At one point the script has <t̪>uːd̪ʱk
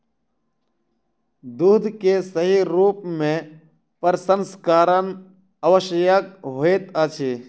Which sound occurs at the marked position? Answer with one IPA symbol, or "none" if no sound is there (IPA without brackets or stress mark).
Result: d̪